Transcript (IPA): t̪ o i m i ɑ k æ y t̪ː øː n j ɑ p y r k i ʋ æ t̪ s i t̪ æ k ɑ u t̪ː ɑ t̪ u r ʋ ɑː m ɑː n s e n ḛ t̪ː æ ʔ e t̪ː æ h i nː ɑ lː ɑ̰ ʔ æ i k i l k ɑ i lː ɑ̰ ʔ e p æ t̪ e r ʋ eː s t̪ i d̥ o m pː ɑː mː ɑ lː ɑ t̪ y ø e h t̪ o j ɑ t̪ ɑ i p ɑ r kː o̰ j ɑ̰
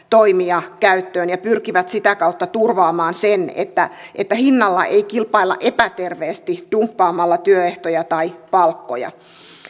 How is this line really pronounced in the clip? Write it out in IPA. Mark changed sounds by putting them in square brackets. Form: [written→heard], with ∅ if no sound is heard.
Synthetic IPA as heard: t̪ o i m i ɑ k æ y t̪ː øː n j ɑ p y r k i ʋ æ t̪ s i t̪ æ k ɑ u t̪ː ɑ t̪ u r ʋ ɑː m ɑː n s e n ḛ t̪ː æ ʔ e t̪ː æ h i nː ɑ lː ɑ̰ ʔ [æ→e] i k i l [k→p] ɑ i lː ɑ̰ ʔ e p æ t̪ e r ʋ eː s t̪ i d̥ [o→u] m pː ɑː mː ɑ lː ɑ t̪ y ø e h t̪ o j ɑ t̪ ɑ i p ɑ [r→l] kː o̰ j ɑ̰